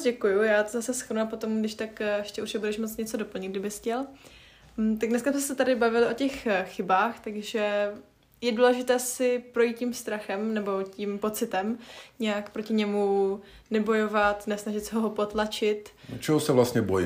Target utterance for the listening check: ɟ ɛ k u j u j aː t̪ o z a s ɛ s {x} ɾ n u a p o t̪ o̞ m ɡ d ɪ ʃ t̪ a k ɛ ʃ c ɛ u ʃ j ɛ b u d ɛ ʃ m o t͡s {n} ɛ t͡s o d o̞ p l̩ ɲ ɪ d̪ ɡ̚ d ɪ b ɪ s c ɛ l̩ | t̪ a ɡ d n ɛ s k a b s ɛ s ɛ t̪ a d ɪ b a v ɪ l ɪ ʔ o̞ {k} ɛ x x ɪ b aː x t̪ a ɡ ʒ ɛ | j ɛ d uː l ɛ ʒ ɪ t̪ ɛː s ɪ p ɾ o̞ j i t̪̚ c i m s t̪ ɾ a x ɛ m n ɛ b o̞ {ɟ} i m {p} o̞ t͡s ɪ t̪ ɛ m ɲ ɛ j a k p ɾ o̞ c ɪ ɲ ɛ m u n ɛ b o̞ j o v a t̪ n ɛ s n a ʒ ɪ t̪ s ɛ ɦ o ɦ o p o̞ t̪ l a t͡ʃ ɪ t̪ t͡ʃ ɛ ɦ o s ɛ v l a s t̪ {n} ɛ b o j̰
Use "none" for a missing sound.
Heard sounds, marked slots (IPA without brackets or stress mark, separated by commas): x, ɲ, c, c, p, ɲ